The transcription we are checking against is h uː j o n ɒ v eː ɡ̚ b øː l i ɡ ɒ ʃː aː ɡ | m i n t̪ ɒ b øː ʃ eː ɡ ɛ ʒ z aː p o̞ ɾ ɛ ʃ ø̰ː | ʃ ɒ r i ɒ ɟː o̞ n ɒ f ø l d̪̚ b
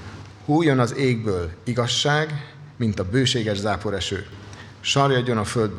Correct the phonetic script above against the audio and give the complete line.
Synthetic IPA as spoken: h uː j o n ɒ z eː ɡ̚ b øː l i ɡ ɒ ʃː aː ɡ | m i n t̪ ɒ b øː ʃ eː ɡ ɛ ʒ z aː p o̞ ɾ ɛ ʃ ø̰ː | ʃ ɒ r j ɒ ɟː o̞ n ɒ f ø l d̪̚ b